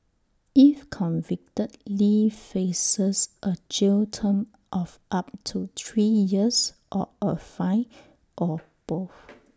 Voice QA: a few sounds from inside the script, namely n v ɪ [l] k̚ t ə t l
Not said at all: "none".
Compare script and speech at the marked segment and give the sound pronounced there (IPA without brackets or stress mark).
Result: none